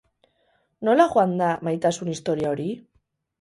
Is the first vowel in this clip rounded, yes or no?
yes